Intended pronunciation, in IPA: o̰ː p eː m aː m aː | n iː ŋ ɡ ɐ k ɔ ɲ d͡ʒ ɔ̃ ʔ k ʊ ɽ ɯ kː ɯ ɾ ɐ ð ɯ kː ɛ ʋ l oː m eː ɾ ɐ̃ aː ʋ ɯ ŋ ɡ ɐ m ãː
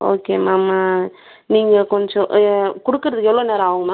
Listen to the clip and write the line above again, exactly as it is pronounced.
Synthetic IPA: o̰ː k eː m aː m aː | n iː ŋ ɡ ɐ k ɔ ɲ d͡ʒ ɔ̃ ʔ k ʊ ɽ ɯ kː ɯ ɾ ɐ ð ɯ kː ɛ ʋ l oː n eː ɾ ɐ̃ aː ʋ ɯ ŋ ɡ ɐ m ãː